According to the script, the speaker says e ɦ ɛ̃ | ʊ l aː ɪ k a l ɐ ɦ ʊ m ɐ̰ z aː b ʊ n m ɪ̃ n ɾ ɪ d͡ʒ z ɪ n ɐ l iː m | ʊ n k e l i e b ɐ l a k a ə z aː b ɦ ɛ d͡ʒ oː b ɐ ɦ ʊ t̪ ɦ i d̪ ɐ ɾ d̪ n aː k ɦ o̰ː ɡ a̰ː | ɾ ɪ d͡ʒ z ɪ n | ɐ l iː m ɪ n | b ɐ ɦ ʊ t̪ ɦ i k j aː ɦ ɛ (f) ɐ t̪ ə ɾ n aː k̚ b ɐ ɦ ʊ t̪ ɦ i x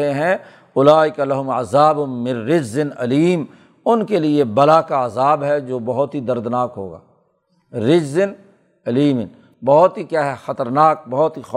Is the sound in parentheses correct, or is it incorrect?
incorrect